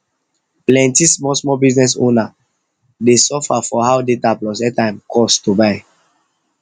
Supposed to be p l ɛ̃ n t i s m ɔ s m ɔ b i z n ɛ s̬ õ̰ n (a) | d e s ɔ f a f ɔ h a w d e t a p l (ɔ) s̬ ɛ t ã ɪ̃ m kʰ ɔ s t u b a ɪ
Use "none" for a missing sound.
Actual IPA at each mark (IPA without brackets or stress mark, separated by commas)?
a, ɔ